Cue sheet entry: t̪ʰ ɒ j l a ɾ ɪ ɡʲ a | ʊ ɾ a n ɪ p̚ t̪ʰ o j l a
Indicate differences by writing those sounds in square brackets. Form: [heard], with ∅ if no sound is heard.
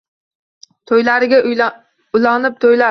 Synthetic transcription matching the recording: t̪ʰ [o] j l a ɾ ɪ ɡʲ a | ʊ [l] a n ɪ p̚ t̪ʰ o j l a